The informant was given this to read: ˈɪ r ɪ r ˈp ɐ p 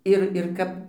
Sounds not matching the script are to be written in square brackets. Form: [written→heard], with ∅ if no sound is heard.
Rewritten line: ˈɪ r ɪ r [ˈp→ˈk] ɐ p

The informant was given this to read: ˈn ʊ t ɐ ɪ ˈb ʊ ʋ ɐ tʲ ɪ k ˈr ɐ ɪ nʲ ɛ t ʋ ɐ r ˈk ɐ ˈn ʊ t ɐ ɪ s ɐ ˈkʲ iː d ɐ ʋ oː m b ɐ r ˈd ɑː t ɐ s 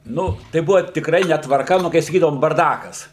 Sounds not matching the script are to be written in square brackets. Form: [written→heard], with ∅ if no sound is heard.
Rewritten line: ˈn ʊ t ɐ ɪ ˈb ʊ ʋ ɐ tʲ ɪ k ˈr ɐ ɪ nʲ ɛ t ʋ ɐ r ˈk ɐ ˈn ʊ [t→k] ɐ ɪ s ɐ ˈkʲ iː d ɐ ʋ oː m b ɐ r ˈd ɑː [t→k] ɐ s

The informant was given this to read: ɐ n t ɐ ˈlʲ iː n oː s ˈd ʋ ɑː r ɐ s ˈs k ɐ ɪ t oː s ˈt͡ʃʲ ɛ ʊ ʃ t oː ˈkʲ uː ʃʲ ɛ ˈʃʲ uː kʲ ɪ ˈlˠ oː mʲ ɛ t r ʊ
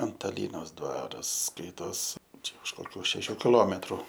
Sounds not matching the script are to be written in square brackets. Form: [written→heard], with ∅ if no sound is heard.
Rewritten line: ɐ n t ɐ ˈlʲ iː n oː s ˈd ʋ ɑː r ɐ s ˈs k ɐ ɪ t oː s ˈt͡ʃʲ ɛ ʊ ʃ [t→k] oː ˈkʲ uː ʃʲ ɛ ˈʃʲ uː kʲ ɪ ˈlˠ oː mʲ ɛ t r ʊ

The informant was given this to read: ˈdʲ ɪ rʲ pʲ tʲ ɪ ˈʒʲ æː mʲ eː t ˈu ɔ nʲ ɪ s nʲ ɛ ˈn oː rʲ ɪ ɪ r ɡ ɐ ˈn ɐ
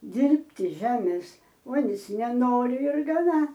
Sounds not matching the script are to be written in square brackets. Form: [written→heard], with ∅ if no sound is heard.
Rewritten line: ˈdʲ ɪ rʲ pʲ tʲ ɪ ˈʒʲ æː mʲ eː [t→s] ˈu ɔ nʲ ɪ s nʲ ɛ ˈn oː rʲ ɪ ɪ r ɡ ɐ ˈn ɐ

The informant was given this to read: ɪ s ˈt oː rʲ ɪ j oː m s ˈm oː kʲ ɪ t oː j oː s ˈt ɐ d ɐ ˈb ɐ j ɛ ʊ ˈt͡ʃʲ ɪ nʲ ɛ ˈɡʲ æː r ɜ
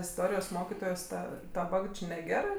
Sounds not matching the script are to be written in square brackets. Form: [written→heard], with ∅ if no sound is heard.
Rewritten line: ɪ s ˈt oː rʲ ɪ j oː [m→∅] s ˈm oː kʲ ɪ t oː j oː s ˈt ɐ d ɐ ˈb ɐ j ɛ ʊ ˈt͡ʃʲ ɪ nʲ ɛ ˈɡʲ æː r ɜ

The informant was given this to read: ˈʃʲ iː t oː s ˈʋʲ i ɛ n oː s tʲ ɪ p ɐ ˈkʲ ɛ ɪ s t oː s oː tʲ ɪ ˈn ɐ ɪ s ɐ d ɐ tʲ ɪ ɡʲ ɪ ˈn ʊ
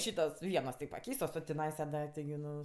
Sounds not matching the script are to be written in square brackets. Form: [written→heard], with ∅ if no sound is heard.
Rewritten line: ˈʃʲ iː t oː s ˈʋʲ i ɛ n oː s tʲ ɪ p ɐ ˈkʲ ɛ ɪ s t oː s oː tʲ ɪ ˈn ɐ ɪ s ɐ d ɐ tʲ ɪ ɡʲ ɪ ˈn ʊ

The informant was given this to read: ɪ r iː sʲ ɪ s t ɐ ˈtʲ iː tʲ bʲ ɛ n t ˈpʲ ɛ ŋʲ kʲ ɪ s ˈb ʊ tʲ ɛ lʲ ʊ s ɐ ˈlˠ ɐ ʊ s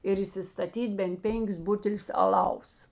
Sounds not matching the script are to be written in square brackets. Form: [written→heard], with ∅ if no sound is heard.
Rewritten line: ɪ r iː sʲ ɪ s t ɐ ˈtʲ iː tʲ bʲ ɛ n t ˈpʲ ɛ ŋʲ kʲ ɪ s ˈb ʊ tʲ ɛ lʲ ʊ s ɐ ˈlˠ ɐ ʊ s

